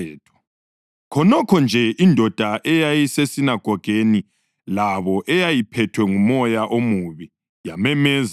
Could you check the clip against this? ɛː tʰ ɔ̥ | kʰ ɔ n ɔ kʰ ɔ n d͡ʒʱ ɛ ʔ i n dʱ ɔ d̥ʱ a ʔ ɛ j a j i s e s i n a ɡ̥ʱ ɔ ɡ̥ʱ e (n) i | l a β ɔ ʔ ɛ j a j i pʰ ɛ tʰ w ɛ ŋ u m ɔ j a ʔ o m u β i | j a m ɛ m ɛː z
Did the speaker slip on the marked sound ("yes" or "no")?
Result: no